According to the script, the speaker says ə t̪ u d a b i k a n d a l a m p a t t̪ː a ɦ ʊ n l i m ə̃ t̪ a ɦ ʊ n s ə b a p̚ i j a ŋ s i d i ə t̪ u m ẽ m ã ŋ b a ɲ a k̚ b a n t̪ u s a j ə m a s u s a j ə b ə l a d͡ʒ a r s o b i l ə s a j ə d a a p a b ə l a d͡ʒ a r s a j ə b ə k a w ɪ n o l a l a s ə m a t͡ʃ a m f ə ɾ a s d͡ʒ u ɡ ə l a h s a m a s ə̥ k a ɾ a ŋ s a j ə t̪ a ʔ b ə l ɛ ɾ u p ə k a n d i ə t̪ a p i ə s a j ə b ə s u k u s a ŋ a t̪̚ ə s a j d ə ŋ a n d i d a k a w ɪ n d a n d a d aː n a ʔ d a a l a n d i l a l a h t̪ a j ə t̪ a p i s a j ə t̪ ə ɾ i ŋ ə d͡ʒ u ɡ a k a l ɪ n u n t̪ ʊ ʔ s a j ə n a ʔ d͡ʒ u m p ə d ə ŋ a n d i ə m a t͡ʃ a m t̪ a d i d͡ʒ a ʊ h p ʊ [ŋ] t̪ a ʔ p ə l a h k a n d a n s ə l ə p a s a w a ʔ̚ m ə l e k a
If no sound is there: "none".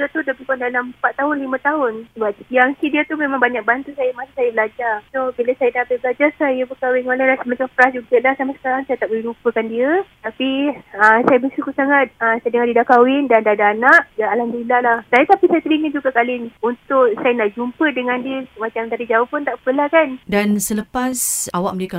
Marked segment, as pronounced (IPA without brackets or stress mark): n